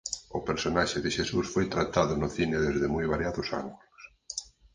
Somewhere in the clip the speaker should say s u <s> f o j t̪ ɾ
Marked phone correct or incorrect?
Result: correct